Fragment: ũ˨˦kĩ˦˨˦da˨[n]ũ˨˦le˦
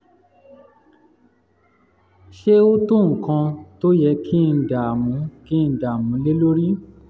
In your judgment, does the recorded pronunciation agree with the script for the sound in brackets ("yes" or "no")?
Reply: no